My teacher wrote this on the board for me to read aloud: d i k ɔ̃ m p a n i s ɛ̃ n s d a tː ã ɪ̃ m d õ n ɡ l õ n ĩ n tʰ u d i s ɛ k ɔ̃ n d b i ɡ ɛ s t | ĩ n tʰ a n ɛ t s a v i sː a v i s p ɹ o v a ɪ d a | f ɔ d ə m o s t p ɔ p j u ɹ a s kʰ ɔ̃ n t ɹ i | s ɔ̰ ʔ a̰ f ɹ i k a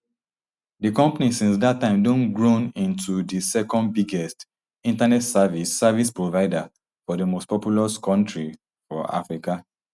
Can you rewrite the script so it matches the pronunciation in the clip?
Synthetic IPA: d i k ɔ̃ m p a n i s ĩ n s d a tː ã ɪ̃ m d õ n ɡ ɹ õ n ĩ n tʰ u d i s ɛ k ɔ̃ n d b i ɡ ɛ s t | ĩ n t a n ɛ t s a v i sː a v i s p ɹ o v a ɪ d a | f ɔ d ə m o s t p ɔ p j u l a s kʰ ɔ̃ n t ɹ i | f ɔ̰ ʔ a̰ f ɹ i k a